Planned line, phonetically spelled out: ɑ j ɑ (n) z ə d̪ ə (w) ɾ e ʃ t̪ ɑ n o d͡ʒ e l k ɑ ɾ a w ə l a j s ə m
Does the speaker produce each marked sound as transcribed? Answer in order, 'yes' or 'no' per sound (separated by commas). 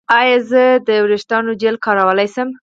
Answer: no, yes